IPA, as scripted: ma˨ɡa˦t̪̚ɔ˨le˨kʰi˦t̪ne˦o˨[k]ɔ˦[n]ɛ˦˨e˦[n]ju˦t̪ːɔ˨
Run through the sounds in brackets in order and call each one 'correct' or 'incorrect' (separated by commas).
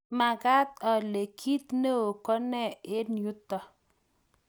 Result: correct, correct, correct